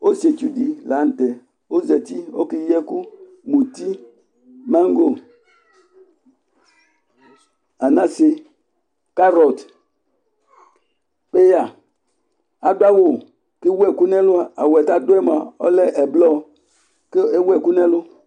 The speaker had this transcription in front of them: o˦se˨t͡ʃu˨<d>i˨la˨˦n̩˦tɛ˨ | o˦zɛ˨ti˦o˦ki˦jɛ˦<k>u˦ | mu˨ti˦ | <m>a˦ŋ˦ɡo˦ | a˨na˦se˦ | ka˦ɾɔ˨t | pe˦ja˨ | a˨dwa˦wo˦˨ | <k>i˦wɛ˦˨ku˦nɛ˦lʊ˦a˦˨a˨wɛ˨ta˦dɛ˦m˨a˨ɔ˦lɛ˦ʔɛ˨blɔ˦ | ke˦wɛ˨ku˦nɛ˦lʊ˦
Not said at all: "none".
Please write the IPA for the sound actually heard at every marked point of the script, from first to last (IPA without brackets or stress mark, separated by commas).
d, k, m, k